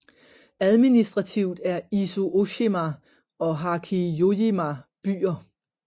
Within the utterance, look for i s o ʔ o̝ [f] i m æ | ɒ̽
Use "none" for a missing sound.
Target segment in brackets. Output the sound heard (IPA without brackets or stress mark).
ɕ